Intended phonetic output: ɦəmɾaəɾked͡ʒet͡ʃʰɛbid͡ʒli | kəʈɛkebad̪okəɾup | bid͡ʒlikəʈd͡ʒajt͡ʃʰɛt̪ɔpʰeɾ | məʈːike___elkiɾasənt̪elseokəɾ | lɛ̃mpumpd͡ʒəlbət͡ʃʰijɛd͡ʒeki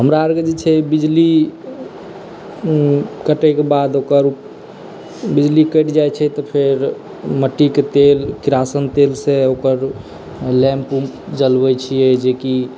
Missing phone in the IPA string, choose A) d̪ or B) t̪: B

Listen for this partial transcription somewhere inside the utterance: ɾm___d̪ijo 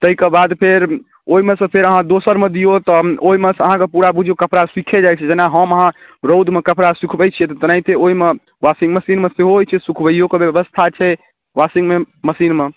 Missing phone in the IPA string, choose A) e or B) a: A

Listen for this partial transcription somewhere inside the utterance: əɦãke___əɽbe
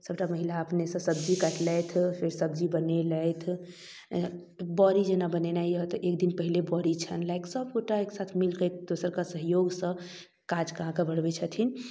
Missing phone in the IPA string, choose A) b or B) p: A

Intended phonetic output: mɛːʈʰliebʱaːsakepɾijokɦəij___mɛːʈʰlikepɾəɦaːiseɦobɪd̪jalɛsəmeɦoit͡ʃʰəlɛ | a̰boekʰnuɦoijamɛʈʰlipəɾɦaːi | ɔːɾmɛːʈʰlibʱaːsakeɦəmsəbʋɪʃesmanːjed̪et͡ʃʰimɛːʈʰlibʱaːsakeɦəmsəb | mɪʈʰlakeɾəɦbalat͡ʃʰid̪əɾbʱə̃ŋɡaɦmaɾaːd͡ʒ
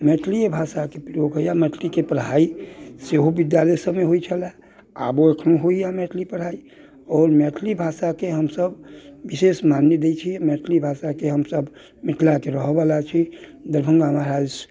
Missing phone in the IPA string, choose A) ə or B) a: B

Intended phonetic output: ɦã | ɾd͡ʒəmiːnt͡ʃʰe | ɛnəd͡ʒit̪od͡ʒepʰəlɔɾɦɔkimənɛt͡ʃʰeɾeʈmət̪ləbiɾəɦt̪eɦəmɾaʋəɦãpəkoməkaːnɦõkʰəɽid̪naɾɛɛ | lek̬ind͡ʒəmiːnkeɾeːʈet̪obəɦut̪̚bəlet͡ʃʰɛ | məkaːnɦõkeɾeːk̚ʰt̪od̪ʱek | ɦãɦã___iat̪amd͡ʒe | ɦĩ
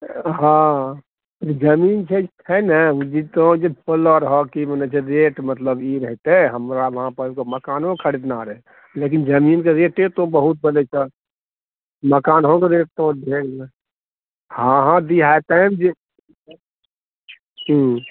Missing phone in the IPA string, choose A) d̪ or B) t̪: A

